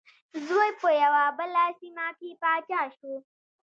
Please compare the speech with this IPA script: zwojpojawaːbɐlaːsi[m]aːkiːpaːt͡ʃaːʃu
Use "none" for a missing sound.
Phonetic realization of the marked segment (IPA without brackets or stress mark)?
m